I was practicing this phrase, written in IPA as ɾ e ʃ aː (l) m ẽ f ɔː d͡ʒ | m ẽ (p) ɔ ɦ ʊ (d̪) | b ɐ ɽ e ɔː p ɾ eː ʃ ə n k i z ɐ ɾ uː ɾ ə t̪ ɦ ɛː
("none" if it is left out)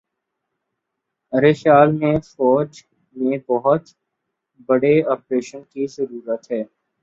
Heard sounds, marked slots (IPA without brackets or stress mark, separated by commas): l, b, t̪